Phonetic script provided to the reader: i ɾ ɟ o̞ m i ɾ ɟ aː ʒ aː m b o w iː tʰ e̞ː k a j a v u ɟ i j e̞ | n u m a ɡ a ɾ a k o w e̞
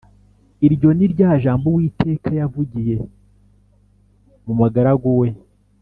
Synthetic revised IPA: i ɾ ɟ o̞ n i ɾ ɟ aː ʒ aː m b o w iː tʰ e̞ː k a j a v u ɟ i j e̞ | m u m a ɡ a ɾ a ɡ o w e̞